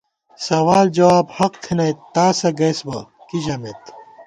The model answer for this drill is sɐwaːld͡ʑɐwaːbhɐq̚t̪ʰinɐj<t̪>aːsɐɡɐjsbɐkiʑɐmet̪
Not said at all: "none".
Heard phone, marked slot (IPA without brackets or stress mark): t̪